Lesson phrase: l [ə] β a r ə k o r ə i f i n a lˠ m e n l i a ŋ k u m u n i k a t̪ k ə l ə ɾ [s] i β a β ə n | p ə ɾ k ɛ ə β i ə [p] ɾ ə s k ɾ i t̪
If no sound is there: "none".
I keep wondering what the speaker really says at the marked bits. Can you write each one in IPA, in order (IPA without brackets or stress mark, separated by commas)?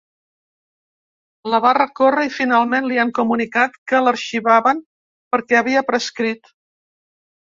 ə, ʃ, p